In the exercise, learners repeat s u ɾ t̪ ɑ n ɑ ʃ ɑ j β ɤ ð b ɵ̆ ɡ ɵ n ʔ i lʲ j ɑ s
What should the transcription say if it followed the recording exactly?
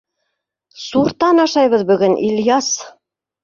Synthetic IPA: s u ɾ t̪ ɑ n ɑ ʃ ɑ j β ɤ ð b ɵ̆ ɡ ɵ n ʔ i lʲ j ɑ s

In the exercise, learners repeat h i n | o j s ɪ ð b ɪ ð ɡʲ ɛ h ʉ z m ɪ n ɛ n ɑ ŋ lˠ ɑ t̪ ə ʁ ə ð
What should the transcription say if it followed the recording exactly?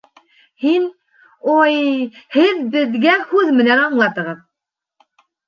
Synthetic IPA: h i n | o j h ɪ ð b ɪ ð ɡʲ ɛ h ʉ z m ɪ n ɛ n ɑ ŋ lˠ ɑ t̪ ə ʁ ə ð

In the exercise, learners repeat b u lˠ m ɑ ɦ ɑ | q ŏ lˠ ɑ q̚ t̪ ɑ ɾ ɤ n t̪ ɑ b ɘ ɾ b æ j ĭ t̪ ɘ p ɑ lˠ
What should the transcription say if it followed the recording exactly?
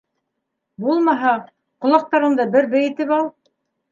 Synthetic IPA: b u lˠ m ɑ ɦ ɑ | q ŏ lˠ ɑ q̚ t̪ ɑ ɾ ɤ n d̪ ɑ b ɘ ɾ b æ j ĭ t̪ ɘ p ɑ lˠ

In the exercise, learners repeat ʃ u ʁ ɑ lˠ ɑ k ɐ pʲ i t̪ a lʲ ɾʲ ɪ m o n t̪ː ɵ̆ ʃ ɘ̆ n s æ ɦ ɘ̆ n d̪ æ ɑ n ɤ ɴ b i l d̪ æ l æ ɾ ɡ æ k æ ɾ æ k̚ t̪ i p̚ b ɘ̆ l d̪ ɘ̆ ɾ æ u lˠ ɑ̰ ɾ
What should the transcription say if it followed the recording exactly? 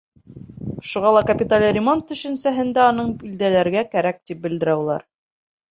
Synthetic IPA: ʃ u ʁ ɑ lˠ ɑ k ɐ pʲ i t̪ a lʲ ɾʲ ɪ m o n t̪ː ɵ̆ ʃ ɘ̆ n s æ ɦ ɘ̆ n d̪ æ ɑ n ɤ ɴ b i l d̪ æ l æ ɾ ɡ æ k æ ɾ æ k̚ t̪ i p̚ b ɘ̆ l d̪ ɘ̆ ɾ æ u lˠ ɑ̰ ɾ

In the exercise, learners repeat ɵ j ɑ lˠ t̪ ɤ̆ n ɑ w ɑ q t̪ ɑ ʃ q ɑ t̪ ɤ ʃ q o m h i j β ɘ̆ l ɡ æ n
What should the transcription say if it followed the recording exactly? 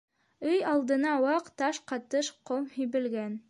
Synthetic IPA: ɵ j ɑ lˠ d̪ ɤ̆ n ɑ w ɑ q t̪ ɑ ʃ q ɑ t̪ ɤ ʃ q o m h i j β ɘ̆ l ɡ æ n

